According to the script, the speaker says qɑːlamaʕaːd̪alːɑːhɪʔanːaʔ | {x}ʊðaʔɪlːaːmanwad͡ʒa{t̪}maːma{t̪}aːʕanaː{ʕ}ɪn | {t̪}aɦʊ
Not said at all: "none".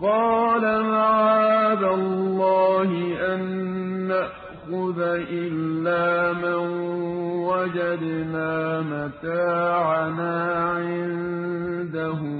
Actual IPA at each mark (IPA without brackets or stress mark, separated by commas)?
x, d̪, t̪, ʕ, d̪